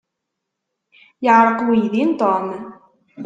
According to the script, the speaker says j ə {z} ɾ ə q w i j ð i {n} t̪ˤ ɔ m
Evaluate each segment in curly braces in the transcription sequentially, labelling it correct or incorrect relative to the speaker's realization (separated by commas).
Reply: incorrect, correct